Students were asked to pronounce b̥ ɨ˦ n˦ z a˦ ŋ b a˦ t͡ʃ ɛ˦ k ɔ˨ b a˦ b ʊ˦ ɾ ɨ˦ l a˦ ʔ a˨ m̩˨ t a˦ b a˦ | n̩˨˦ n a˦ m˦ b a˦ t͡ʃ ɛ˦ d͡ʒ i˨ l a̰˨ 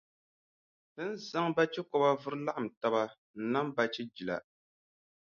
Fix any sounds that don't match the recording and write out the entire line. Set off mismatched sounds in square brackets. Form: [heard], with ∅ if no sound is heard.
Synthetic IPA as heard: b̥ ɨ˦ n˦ z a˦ ŋ b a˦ t͡ʃ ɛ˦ k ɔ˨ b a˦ [v] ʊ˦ ɾ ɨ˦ l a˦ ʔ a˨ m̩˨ t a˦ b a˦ | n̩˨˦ n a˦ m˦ b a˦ t͡ʃ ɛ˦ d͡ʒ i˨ l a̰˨